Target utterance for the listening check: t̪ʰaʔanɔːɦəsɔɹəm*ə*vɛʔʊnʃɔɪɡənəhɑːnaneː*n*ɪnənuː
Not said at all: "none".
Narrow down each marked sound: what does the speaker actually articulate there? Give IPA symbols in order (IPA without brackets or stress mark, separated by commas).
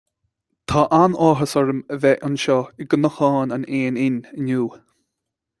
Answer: ə, n